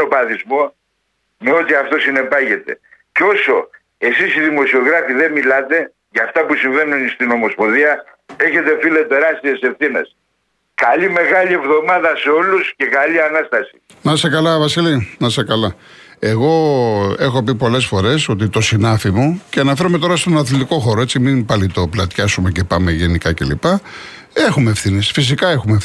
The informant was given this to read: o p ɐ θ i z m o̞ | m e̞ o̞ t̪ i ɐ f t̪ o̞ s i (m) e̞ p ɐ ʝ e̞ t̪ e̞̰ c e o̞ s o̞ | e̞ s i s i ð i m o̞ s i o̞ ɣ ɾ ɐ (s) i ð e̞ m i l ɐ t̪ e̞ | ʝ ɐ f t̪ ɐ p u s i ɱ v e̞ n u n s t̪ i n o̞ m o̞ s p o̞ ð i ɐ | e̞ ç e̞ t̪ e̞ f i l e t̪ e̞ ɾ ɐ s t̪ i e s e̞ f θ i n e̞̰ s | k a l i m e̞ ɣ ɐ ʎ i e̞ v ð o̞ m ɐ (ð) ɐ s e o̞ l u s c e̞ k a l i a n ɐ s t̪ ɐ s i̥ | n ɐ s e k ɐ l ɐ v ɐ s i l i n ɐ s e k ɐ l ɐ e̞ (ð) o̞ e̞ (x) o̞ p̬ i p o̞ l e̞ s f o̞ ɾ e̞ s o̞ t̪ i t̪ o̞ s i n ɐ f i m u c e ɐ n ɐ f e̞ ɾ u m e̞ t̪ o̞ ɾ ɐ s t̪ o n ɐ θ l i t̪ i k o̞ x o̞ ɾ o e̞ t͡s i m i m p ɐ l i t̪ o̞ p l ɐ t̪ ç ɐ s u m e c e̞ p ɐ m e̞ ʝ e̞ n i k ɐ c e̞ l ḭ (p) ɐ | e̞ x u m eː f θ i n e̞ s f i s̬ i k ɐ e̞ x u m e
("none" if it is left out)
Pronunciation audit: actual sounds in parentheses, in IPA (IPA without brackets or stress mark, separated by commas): n, f, ð, ɣ, x, p